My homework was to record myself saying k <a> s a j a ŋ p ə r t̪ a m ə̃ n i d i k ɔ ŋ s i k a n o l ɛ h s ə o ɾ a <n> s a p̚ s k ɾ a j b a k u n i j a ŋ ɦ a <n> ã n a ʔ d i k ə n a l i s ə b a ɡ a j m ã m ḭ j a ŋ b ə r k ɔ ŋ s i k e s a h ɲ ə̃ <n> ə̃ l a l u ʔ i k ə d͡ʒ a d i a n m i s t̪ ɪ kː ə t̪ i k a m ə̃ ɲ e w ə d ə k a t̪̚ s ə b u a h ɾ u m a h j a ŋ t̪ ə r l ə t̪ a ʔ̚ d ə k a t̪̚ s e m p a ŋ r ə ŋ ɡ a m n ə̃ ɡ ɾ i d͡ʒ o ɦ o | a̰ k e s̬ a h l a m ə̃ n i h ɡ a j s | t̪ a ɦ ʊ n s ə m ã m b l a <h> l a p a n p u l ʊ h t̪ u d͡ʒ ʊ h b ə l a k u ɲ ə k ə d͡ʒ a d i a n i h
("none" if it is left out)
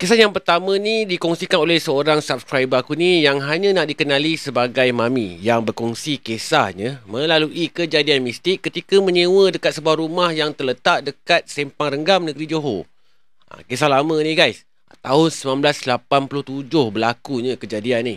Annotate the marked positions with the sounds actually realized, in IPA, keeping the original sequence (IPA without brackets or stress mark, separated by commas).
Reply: e, ŋ, ɲ, m, s